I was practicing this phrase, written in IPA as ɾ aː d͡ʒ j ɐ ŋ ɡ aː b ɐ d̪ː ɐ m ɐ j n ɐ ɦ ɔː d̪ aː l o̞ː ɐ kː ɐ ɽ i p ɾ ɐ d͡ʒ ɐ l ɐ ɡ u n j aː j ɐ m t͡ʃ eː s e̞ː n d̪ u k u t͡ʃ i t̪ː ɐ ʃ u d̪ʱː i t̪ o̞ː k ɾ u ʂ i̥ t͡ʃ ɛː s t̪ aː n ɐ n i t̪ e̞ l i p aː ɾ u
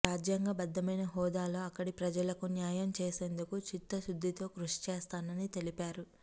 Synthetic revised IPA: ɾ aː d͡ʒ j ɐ ŋ ɡ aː b ɐ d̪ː ɐ m ɐ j n ɐ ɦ ɔː d̪ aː l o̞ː ɐ kː ɐ ɽ i p ɾ ɐ d͡ʒ ɐ l ɐ k u n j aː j ɐ m t͡ʃ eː s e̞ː n d̪ u k u t͡ʃ i t̪ː ɐ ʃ u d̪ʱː i t̪ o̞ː k ɾ u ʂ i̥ t͡ʃ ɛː s t̪ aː n ɐ n i t̪ e̞ l i p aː ɾ u

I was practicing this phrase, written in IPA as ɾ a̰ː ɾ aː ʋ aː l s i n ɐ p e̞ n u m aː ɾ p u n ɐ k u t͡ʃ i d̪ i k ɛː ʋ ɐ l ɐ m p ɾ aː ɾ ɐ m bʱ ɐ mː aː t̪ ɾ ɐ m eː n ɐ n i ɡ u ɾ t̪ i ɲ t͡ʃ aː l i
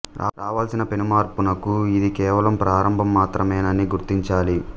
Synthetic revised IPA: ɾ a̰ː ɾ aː ʋ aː l s i n ɐ p e̞ n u m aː ɾ p u n ɐ k u i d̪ i k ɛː ʋ ɐ l ɐ m p ɾ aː ɾ ɐ m bʱ ɐ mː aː t̪ ɾ ɐ m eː n ɐ n i ɡ u ɾ t̪ i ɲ t͡ʃ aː l i

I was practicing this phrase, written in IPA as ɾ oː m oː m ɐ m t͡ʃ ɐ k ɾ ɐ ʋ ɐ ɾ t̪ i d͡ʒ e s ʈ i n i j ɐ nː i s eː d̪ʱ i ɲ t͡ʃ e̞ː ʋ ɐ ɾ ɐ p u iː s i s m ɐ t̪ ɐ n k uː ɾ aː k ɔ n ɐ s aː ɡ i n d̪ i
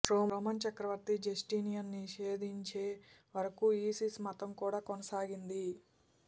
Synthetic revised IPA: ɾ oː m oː m ɐ n t͡ʃ ɐ k ɾ ɐ ʋ ɐ ɾ t̪ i d͡ʒ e s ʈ i n i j ɐ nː i ʃ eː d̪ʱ i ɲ t͡ʃ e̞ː ʋ ɐ ɾ ɐ k u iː s i s m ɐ t̪ ɐ m k uː ɽ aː k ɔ n ɐ s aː ɡ i n d̪ i

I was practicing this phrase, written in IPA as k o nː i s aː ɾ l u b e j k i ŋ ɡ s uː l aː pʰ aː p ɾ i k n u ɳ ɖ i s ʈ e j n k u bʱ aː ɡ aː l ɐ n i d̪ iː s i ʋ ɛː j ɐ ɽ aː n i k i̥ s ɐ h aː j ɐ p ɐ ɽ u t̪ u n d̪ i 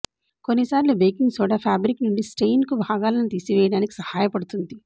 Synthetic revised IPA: k o nː i s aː ɾ l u b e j k i ŋ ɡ s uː ɽ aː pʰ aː b ɾ i k n u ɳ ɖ i s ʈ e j n k u bʱ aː ɡ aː l ɐ n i t̪ iː s i ʋ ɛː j ɐ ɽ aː n i k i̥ s ɐ h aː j ɐ p ɐ ɽ u t̪ u n d̪ i

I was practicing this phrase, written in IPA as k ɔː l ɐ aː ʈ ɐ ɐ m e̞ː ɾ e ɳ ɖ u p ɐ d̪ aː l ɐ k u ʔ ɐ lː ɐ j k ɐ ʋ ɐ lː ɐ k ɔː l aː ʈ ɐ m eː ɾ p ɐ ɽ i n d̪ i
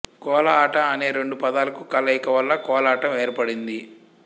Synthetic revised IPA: k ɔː l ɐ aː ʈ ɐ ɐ n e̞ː ɾ e ɳ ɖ u p ɐ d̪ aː l ɐ k u k ɐ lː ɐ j k ɐ ʋ ɐ lː ɐ k ɔː l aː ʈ ɐ m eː ɾ p ɐ ɽ i n d̪ i

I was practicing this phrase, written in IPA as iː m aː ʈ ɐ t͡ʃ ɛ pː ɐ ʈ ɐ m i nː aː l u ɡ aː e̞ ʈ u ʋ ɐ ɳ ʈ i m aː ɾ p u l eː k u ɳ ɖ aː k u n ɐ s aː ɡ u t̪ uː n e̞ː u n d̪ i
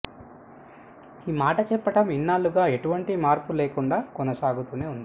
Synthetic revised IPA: iː m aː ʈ ɐ t͡ʃ ɛ pː ɐ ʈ ɐ m i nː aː l u ɡ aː e̞ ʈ u ʋ ɐ ɳ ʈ i m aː ɾ p u l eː k u ɳ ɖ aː k ɔ n ɐ s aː ɡ u t̪ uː n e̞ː u n d̪ i

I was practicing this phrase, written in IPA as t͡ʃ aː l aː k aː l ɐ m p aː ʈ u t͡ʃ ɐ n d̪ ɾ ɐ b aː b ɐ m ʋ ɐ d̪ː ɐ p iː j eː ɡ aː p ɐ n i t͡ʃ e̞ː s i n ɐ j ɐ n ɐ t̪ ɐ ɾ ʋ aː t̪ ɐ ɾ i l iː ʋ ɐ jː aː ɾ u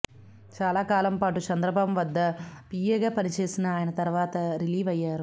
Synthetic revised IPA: t͡ʃ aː l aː k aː l ɐ m p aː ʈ u t͡ʃ ɐ n d̪ ɾ ɐ b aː b ɐ m ʋ ɐ d̪ː ɐ p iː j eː ɡ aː p ɐ n i t͡ʃ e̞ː s i n ɐː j ɐ n ɐ t̪ ɐ ɾ ʋ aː t̪ ɐ ɾ i l iː ʋ ɐ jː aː ɾ u

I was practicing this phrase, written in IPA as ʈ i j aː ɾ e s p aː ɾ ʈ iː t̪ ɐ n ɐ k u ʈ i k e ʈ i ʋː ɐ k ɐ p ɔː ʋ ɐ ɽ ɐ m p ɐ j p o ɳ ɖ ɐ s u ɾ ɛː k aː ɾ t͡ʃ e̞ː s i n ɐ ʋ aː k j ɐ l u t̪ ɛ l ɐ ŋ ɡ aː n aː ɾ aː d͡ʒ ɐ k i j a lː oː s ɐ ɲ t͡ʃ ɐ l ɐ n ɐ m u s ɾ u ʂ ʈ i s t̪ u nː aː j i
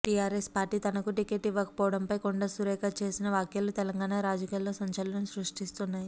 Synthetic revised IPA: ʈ i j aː ɾ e s p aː ɾ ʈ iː t̪ ɐ n ɐ k u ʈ i k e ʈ i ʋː ɐ k ɐ p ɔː ʋ ɐ ɽ ɐ m p ɐ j k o ɳ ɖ ɐ s u ɾ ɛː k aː t͡ʃ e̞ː s i n ɐ ʋ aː k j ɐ l u t̪ ɛ l ɐ ŋ ɡ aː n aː ɾ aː d͡ʒ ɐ k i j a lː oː s ɐ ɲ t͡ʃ ɐ l ɐ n ɐ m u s ɾ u ʂ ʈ i s t̪ u nː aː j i

